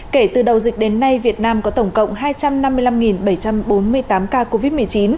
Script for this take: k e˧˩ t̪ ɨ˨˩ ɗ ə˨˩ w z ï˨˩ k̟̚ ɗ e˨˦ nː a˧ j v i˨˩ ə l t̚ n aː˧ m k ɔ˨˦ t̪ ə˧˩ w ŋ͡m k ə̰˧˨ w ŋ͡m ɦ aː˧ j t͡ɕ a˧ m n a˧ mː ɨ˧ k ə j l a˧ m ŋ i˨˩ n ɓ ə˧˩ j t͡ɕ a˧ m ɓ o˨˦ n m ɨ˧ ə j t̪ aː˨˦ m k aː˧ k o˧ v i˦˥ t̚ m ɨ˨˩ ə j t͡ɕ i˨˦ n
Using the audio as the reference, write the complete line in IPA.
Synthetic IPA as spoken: k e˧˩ t̪ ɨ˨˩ ɗ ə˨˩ w z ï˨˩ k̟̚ ɗ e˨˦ nː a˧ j v i˨˩ ə t̚ n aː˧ m k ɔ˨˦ t̪ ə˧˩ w ŋ͡m k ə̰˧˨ w ŋ͡m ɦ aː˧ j t͡ɕ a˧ m n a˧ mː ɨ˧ ə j l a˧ m ŋ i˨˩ n ɓ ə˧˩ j t͡ɕ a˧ m ɓ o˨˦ n m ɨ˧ ə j t̪ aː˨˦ m k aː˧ k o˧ v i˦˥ t̚ m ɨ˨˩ ə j t͡ɕ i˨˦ n

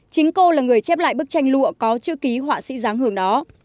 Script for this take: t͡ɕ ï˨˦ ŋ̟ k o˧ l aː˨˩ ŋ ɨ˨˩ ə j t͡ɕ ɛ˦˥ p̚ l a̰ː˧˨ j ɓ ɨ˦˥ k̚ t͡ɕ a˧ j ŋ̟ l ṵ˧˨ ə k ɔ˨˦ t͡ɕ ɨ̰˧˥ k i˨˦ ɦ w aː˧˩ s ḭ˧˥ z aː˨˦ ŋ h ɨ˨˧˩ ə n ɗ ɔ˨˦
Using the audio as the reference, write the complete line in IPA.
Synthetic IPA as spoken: t͡ɕ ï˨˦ ŋ̟ k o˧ l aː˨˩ ŋ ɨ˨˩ ə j t͡ɕ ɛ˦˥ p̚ l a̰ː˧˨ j ɓ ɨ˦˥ k̚ t͡ɕ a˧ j ŋ̟ l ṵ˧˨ ə k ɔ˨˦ t͡ɕ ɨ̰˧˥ k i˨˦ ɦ w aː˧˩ s ḭ˧˥ z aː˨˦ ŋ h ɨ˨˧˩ ə ŋ ɗ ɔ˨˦

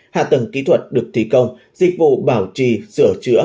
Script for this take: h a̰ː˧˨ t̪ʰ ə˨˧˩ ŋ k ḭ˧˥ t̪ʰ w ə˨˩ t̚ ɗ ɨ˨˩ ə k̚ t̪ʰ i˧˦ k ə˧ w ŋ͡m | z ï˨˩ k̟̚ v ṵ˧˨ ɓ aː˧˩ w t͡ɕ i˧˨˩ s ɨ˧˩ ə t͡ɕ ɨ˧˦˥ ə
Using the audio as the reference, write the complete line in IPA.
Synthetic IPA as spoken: h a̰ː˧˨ t̪ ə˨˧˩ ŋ k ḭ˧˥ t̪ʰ w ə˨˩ t̚ ɗ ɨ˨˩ ə k̚ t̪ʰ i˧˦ k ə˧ w ŋ͡m | z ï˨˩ k̟̚ v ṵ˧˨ ɓ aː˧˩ w t͡ɕ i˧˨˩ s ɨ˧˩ ə t͡ɕ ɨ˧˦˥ ə

